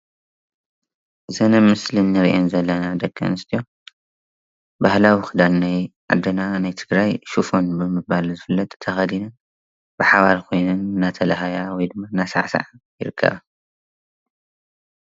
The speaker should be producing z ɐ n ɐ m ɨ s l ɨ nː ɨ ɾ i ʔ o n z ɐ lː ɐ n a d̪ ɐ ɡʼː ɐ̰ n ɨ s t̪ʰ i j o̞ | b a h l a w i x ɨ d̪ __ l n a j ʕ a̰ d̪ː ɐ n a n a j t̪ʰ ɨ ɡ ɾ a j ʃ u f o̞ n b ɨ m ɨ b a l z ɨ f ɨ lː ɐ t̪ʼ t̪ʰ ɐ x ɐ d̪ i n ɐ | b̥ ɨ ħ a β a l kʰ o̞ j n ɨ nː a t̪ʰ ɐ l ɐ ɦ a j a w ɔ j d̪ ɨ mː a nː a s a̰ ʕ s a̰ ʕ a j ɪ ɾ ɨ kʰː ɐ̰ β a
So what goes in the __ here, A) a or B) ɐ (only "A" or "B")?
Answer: A